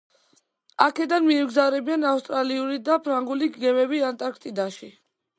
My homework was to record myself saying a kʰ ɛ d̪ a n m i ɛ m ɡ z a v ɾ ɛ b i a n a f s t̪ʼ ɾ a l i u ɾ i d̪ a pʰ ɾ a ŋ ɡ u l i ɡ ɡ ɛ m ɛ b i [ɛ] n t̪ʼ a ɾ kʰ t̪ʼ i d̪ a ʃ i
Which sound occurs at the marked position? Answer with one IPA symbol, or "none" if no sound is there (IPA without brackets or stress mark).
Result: a